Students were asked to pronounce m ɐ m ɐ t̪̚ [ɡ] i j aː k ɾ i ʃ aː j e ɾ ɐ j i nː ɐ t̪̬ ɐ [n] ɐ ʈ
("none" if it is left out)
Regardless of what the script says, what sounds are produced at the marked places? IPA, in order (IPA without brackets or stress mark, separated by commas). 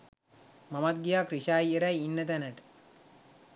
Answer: ɡ, n